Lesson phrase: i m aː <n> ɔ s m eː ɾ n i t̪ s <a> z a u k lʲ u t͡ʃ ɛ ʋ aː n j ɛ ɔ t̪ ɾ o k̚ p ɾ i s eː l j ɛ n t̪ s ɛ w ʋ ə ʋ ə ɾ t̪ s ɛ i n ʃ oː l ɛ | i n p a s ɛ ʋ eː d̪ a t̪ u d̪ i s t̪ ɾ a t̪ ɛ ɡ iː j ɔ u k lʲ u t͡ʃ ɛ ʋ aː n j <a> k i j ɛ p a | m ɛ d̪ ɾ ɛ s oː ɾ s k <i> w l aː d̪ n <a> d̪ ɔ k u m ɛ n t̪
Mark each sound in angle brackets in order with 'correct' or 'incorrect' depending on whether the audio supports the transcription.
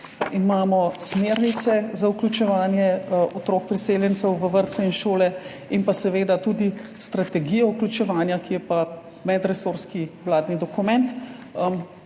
incorrect: m, incorrect: ɛ, correct, correct, incorrect: i

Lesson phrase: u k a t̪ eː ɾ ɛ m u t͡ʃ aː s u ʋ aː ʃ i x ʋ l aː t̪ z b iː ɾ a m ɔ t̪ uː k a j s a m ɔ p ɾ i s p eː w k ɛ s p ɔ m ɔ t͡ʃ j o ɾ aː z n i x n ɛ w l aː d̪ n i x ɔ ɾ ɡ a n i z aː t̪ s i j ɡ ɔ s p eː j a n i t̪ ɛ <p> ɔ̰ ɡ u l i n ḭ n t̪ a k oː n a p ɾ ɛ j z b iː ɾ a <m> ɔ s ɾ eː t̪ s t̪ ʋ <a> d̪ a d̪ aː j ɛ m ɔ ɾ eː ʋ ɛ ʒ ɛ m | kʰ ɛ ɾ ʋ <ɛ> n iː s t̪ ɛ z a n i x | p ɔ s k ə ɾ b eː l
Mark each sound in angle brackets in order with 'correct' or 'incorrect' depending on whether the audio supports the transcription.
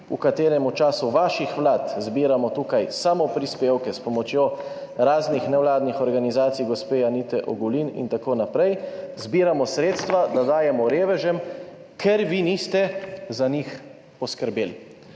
incorrect: ʔ, correct, correct, incorrect: i

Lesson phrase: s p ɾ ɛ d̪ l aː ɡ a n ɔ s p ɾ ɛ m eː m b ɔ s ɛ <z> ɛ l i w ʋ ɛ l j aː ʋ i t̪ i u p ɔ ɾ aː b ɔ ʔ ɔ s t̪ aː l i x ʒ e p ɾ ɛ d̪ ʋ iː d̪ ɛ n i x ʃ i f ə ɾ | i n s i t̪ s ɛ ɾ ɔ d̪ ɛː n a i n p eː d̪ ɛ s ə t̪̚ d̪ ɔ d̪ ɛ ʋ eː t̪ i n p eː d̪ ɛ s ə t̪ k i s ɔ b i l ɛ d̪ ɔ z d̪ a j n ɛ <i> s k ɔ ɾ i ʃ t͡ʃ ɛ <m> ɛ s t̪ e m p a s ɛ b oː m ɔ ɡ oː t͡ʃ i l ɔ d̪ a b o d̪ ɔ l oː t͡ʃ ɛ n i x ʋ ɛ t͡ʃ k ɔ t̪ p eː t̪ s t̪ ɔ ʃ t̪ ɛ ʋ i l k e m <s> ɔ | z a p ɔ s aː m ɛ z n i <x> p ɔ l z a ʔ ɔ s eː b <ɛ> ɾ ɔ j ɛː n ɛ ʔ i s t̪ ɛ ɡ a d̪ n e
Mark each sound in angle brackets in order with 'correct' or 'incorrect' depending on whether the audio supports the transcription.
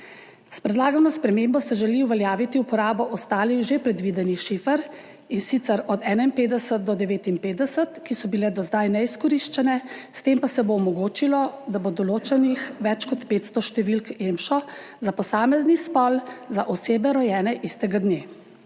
incorrect: ʒ, correct, incorrect: n, incorrect: ʃ, incorrect: s, correct

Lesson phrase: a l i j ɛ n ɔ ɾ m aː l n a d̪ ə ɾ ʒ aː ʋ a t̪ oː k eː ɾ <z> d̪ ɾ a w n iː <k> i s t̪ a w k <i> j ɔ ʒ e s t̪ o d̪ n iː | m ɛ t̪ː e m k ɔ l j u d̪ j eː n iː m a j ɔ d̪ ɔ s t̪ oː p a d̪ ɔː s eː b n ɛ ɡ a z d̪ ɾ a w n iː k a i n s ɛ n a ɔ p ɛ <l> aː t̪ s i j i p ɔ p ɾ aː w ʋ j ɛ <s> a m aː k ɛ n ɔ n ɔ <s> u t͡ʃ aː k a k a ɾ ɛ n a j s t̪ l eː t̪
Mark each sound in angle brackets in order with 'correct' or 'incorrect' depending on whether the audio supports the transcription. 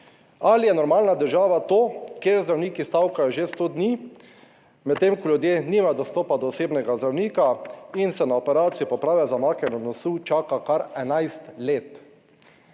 correct, correct, incorrect: a, incorrect: ɾ, incorrect: z, correct

